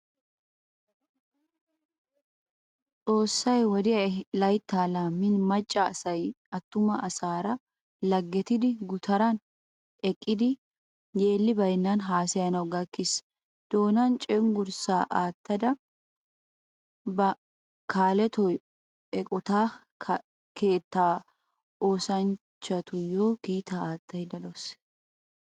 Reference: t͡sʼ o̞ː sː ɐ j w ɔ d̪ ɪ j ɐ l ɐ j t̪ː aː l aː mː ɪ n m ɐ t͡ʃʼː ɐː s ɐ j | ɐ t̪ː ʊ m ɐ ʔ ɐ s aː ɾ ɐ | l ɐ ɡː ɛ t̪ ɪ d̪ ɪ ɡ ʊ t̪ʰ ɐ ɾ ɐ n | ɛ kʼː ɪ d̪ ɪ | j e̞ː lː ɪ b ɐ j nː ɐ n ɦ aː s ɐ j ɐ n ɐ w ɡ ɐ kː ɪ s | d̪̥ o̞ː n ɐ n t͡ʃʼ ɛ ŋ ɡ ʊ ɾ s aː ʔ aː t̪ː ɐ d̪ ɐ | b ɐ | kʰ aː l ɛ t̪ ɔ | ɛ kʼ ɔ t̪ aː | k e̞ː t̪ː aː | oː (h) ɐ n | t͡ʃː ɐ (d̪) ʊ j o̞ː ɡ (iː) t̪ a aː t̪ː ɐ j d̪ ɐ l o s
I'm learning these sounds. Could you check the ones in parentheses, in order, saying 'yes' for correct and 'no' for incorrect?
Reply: no, no, yes

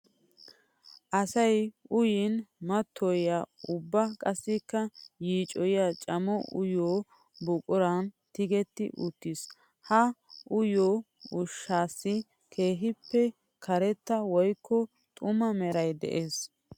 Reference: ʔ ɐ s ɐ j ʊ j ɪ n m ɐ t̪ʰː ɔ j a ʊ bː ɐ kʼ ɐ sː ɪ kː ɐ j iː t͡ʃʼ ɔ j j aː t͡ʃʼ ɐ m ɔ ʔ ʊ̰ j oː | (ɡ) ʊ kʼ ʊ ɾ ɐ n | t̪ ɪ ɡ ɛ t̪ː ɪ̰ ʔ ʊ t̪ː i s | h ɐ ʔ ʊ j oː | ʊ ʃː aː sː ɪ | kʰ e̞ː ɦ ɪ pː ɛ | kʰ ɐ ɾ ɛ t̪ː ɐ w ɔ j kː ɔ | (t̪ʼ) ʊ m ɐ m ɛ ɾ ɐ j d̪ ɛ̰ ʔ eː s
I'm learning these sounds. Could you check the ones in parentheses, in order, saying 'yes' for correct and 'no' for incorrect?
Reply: no, yes

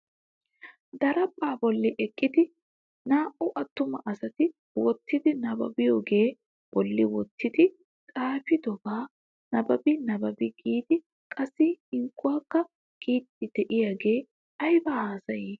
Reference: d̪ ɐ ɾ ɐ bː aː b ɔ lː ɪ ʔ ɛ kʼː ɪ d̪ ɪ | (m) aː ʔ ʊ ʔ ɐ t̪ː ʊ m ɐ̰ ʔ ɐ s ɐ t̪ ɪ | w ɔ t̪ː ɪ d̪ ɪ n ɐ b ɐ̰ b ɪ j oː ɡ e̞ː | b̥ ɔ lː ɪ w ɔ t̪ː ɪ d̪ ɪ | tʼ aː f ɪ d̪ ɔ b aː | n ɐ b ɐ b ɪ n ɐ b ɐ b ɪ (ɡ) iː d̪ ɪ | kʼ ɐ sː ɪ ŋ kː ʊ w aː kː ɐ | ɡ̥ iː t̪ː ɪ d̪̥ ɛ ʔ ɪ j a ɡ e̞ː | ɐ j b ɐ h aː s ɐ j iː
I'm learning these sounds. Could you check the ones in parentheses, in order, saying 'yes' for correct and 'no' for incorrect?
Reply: no, yes

